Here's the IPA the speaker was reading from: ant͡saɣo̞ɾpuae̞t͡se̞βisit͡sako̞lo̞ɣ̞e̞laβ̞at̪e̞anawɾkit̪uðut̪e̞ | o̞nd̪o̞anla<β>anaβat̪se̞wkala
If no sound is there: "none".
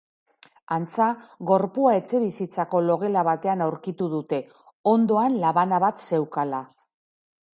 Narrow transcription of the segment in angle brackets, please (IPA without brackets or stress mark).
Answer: β